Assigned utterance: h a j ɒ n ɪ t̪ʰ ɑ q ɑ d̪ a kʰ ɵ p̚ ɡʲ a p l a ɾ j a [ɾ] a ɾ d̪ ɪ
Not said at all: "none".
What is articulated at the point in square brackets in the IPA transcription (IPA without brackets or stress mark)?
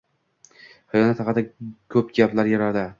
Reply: ɾ